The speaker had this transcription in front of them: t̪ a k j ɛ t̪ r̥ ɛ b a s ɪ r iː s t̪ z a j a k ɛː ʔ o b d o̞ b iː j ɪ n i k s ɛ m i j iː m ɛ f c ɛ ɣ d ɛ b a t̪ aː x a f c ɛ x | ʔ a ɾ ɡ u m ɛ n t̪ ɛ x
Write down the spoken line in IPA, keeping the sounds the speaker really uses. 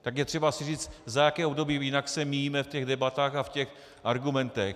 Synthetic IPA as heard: t̪ a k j ɛ t̪ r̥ ɛ b a s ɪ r iː t͡s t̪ z a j a k ɛː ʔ o b d o̞ b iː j ɪ n a k s ɛ m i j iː m ɛ f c ɛ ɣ d ɛ b a t̪ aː x a f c ɛ x | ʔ a ɾ ɡ u m ɛ n t̪ ɛ x

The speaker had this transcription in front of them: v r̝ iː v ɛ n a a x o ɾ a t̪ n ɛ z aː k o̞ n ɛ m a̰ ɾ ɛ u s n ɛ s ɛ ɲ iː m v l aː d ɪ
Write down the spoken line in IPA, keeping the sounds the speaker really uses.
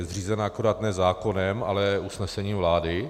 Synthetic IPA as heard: z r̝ iː z ɛ n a a k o ɾ a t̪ n ɛ z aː k o̞ n ɛ m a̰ l ɛ u s n ɛ s ɛ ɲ iː m v l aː d ɪ

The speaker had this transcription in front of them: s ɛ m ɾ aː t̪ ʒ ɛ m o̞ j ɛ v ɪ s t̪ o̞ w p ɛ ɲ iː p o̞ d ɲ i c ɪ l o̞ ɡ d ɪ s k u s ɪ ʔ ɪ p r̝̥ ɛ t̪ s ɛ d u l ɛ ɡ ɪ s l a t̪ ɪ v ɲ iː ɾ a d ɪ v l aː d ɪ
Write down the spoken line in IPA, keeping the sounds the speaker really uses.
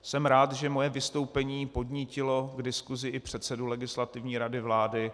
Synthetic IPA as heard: s ɛ m ɾ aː t̪ ʒ ɛ m o̞ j ɛ v ɪ s t̪ o̞ w p ɛ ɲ iː p o̞ d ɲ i c ɪ l o̞ ɡ d ɪ s k u z ɪ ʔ ɪ p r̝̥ ɛ t̪ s ɛ d u l ɛ ɡ ɪ s l a t̪ ɪ v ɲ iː ɾ a d ɪ v l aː d ɪ

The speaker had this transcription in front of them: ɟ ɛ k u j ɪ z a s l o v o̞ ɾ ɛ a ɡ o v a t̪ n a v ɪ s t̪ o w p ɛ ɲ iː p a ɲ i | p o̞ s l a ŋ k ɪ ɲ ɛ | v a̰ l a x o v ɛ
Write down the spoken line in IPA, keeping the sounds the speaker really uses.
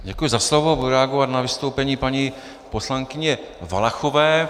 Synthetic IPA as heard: ɟ ɛ k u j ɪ z a s l o v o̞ ɾ ɛ a ɡ o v a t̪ n a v ɪ s t̪ o w p ɛ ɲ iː p a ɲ i | p o̞ s l a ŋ k ɪ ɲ ɛ | v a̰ l a x o v ɛː

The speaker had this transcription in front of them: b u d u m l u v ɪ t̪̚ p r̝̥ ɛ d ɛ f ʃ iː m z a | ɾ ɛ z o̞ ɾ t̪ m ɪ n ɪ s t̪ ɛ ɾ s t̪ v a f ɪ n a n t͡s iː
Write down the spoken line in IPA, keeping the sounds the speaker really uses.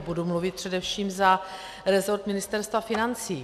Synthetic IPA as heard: b u d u m l u v ɪ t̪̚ p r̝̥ ɛ d ɛ f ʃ iː m z a | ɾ ɛ z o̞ ɾ t̪ m ɪ n ɪ s t̪ ɛ ɾ s t̪ v a f ɪ n a n t͡s iː

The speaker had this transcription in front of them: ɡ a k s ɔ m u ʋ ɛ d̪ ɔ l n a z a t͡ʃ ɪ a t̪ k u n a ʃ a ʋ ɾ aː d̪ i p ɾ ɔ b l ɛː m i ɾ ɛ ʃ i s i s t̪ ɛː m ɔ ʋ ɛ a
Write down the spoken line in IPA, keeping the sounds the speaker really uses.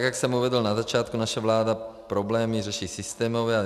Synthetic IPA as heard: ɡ a k s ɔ m u ʋ ɛ d̪ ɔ l n a z a t͡ʃ ɪ a t̪ k u n a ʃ a ʋ l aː d̪ a p ɾ ɔ b l ɛː m i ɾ ɛ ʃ i s i s t̪ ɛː m ɔ ʋ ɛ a

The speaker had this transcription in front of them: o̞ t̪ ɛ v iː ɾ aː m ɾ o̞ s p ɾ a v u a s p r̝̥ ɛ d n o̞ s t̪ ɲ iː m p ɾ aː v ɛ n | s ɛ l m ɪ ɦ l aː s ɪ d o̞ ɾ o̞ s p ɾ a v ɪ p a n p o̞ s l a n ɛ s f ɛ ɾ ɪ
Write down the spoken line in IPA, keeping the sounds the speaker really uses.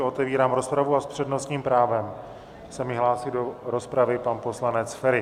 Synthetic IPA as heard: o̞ t̪ ɛ v iː ɾ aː m ɾ o̞ s p ɾ a v u a s p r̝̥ ɛ d n o̞ s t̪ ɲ iː m p ɾ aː v ɛ m | s ɛ m ɪ ɦ l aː s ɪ d o̞ ɾ o̞ s p ɾ a v ɪ p a n p o̞ s l a n ɛ t͡s f ɛ ɾ ɪ

